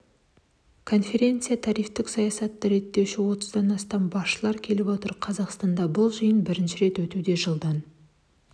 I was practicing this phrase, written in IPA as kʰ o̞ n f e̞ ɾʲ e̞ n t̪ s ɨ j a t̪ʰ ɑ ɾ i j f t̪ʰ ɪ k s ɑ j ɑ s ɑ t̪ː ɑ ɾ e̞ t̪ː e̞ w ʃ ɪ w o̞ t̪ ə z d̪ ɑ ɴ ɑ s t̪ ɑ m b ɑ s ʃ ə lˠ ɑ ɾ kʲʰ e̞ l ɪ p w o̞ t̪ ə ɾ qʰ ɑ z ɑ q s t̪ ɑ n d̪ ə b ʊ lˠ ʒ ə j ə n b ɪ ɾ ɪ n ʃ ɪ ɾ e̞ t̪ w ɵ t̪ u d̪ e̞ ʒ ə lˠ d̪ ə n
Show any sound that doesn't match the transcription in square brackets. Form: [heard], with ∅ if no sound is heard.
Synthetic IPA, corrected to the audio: kʰ o̞ n f e̞ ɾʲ e̞ n t̪ s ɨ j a t̪ʰ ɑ ɾ i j f [t̪] ɪ k s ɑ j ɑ s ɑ t̪ː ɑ ɾ e̞ t̪ː e̞ w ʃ ɪ w o̞ t̪ ə z d̪ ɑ [n] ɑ s t̪ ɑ m b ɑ s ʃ ə lˠ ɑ ɾ kʲʰ e̞ l ɪ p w o̞ t̪ ə ɾ qʰ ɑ z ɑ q s t̪ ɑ n d̪ [ɑ] b ʊ lˠ ʒ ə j ə n b ɪ ɾ ɪ n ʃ ɪ ɾ e̞ t̪ w ɵ t̪ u d̪ e̞ ʒ ə lˠ d̪ [ɑ] n